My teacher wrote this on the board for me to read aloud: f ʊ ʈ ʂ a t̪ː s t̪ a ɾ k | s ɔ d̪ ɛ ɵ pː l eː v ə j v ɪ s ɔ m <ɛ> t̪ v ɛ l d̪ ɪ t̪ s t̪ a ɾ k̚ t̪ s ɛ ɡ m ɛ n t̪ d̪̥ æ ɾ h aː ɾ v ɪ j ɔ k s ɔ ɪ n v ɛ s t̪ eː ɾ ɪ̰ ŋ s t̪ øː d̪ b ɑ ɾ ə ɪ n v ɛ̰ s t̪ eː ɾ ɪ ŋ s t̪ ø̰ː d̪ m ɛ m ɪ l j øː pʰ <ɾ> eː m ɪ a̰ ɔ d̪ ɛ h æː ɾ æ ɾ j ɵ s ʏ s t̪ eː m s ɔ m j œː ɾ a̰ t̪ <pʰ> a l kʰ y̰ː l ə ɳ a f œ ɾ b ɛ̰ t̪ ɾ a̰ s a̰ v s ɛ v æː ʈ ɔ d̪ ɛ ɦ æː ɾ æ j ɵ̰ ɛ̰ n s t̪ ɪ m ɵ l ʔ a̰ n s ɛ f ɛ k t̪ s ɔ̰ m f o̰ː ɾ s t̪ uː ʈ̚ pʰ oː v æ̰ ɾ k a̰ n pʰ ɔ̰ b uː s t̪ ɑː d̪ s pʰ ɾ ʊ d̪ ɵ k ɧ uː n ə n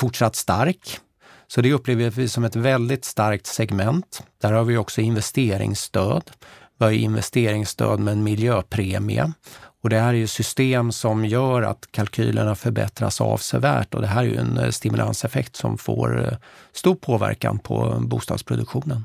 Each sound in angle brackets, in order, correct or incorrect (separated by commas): correct, correct, incorrect